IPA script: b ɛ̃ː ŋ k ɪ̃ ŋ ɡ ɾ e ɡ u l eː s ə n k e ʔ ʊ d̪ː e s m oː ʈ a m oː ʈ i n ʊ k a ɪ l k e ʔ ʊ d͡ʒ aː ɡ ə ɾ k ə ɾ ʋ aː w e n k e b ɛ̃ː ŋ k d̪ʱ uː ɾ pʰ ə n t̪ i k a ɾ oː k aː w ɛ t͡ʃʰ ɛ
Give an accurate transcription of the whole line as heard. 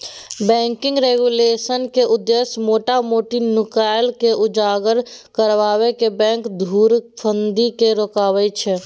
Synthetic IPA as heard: b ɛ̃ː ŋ k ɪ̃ ŋ ɡ ɾ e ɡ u l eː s ə n k e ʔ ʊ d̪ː e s m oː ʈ a m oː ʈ i n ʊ k a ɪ l k e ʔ ʊ d͡ʒ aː ɡ ə ɾ k ə ɾ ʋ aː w e k e b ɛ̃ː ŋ k d̪ʱ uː ɾ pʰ ə n d̪ i k e ɾ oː k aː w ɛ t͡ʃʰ ɛ

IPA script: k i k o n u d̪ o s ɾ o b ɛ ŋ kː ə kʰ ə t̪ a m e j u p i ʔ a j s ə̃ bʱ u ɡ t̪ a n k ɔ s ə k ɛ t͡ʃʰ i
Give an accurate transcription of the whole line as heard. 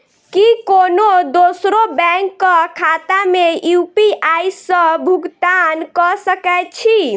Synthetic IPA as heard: k i k o n o d̪ o s ɾ o b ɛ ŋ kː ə kʰ a t̪ a m e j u p i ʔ a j s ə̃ bʱ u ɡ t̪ a n k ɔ s ə k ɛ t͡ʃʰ i

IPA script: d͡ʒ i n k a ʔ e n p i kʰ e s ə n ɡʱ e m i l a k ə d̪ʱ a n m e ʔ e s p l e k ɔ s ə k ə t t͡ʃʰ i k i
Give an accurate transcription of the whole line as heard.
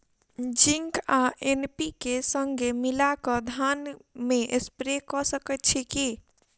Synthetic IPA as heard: d͡ʒ i ŋ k a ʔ e n p i k e s ə ŋ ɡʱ e m i l a k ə d̪ʱ a n m e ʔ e s p ɾ e k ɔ s ə k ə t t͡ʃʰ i k i

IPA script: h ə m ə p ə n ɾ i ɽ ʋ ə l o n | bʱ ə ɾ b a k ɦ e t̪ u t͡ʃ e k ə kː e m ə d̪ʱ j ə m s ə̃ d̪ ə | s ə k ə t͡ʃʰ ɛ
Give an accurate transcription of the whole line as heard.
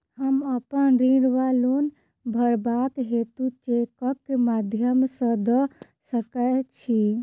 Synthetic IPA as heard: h ə m ə p ə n ɾ i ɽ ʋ a l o n | bʱ ə ɾ b a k ɦ e t̪ u t͡ʃ e k ə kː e m a d̪ʱ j ə m s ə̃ d̪ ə | s ə k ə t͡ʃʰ i

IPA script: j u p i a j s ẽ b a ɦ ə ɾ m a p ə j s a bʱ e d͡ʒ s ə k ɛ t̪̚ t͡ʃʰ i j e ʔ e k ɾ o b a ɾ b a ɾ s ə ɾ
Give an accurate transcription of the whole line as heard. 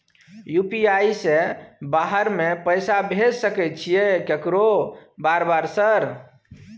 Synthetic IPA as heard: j u p i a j s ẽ b a ɦ ə ɾ m e p ə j s a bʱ e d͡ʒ s ə k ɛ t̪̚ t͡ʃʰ i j e k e k ɾ o b a ɾ b a ɾ s ə ɾ

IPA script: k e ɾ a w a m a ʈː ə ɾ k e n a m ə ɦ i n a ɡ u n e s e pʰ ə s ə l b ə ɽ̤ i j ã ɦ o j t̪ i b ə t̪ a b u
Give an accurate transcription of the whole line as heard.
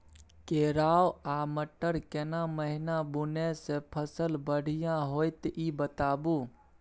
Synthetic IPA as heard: k e ɾ a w a m ə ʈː ə ɾ k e n a m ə ɦ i n a b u n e s e pʰ ə s ə l b ə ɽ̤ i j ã ɦ o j t̪ i b ə t̪ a b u

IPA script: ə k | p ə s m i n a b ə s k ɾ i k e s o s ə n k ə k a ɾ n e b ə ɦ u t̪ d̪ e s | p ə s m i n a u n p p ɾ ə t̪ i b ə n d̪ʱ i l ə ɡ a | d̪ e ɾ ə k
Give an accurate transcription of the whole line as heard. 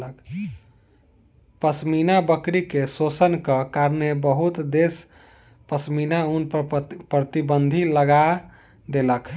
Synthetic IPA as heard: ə k | p ə s m i n a b ə k ɾ i k e s o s ə n k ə k a ɾ n e b ə ɦ u t̪ d̪ e s | p ə s m i n a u n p p ɾ ə t̪ i b ə n d̪ʱ i l ə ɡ a | d̪ e l ə k

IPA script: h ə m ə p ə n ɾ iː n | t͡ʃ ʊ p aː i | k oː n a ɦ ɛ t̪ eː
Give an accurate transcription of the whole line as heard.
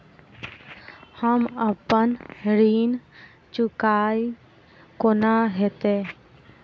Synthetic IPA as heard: h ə m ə p ə n ɾ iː n | t͡ʃ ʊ k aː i | k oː n a ɦ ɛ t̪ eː

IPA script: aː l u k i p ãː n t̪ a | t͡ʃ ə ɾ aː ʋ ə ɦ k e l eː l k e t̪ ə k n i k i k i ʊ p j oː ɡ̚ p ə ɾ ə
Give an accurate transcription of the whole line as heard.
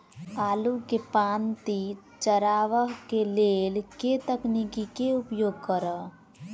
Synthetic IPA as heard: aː l u k e p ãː n t̪ i | t͡ʃ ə ɾ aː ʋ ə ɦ k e l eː l k e t̪ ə k n i k i k e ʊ p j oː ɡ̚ k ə ɾ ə

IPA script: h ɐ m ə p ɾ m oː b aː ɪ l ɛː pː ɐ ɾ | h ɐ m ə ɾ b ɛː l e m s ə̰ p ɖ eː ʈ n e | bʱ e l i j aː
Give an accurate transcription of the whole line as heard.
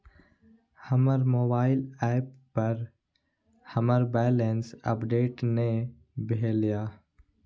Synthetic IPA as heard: h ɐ m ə ɾ m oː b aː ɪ l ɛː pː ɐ ɾ | h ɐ m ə ɾ b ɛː l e n s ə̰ p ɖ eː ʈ n e | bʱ e l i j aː

